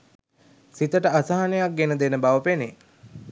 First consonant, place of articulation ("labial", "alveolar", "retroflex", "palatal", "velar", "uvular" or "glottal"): alveolar